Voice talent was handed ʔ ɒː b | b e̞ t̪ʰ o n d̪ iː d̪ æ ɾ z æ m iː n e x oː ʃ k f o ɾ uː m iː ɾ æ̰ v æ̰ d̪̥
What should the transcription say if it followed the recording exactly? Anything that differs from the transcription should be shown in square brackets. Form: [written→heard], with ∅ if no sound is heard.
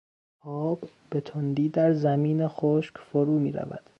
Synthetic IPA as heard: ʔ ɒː b | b e̞ t̪ʰ o n d̪ iː d̪ æ ɾ z æ m iː n e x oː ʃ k f o ɾ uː m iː ɾ æ̰ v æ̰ d̪̥